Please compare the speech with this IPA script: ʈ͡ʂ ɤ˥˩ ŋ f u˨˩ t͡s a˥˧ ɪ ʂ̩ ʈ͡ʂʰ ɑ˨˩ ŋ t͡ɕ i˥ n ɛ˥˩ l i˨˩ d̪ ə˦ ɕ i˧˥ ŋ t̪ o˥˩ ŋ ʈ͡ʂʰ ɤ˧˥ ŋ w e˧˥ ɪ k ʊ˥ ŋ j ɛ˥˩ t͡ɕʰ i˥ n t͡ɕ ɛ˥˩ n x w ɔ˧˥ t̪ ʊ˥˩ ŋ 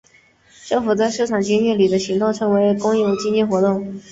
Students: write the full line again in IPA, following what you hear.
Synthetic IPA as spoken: ʈ͡ʂ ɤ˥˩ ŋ f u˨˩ t͡s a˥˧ ɪ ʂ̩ ʈ͡ʂʰ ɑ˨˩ ŋ t͡ɕ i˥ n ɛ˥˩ l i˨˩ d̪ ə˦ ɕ i˧˥ ŋ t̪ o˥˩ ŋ ʈ͡ʂʰ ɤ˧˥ ŋ w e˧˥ ɪ k ʊ˥ ŋ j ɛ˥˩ t͡ɕ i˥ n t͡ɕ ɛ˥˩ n x w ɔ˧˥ t̪ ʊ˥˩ ŋ